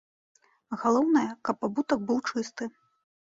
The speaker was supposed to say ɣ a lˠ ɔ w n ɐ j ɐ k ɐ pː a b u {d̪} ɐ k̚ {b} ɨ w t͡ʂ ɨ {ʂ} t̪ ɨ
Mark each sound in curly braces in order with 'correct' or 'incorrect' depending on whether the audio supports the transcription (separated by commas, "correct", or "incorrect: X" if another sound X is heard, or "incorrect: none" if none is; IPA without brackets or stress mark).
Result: incorrect: t̪, correct, incorrect: s